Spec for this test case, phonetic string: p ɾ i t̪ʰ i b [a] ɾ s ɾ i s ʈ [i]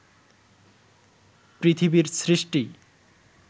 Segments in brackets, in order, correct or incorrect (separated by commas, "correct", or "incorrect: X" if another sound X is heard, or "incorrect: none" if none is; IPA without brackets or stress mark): incorrect: i, correct